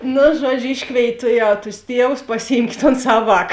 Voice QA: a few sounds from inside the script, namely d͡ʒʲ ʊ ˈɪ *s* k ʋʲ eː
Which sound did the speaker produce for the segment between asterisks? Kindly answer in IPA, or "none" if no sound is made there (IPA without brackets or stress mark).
ʃ